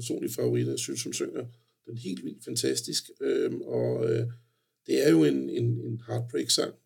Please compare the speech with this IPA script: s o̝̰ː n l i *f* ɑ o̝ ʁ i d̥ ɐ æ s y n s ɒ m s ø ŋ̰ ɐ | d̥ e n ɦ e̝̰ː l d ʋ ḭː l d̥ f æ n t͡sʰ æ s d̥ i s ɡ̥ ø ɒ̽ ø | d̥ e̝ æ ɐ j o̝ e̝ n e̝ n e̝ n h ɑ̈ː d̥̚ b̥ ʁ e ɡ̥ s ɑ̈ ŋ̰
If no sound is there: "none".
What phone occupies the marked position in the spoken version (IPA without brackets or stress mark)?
f